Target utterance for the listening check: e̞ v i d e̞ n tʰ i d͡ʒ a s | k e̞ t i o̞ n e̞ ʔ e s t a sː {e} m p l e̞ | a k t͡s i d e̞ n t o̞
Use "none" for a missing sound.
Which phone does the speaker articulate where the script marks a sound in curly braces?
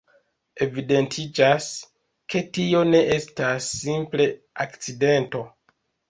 i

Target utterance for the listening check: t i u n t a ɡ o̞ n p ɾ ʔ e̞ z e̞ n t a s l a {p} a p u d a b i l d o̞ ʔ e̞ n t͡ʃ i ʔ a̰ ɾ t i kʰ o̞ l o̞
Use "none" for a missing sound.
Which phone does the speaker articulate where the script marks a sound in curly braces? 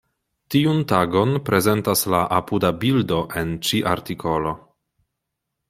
ʔ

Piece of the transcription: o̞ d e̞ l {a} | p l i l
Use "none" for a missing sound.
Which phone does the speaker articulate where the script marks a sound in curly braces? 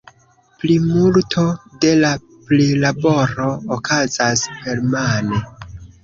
a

